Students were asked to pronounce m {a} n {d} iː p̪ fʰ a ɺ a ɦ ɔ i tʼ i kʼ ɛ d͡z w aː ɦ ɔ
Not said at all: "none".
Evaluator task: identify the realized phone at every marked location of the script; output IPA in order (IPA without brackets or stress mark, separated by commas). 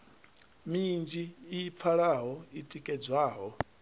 i, d͡ʒ